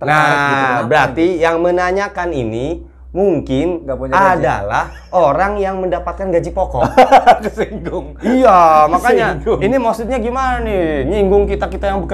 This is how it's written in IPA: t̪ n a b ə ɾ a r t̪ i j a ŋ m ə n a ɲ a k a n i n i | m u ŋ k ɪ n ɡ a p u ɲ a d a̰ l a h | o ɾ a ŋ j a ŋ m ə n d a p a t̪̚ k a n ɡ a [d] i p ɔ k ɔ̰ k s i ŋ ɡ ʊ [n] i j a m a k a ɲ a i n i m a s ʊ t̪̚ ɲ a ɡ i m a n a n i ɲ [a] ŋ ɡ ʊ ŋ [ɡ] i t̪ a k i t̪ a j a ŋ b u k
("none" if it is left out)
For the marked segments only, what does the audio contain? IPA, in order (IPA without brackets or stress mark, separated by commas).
d͡ʒ, ŋ, i, k